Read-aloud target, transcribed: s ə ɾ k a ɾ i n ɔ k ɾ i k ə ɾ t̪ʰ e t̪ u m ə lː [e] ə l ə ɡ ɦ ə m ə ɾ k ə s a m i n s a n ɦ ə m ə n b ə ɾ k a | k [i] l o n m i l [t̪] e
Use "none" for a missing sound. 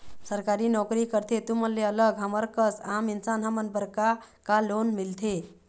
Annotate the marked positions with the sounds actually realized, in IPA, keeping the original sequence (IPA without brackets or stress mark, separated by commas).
e, a, t̪ʰ